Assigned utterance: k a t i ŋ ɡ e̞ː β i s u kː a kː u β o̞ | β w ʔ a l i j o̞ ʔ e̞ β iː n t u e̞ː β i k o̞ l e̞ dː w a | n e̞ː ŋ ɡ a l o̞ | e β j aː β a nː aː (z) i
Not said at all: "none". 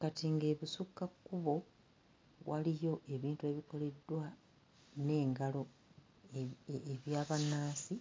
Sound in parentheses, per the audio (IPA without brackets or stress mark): s